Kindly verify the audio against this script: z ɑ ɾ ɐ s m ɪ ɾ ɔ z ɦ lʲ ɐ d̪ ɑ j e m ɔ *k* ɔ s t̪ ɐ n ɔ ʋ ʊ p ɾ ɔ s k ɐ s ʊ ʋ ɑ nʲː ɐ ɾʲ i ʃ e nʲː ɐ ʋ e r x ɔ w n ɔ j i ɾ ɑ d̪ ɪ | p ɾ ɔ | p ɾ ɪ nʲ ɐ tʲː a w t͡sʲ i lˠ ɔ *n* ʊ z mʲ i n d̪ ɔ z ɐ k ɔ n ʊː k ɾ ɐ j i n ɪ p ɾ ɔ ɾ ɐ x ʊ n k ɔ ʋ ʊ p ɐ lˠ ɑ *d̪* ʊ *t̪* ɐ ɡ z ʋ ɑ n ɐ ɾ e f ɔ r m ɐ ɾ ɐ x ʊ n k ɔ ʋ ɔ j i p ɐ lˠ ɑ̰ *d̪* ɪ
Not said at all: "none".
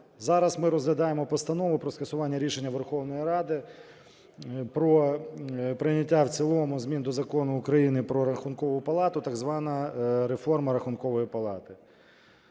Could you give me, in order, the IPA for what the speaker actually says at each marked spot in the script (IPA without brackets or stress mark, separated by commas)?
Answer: p, m, t̪, t̪, t̪